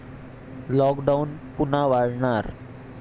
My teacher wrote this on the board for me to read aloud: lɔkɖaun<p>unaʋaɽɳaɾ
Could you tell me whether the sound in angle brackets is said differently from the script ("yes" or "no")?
no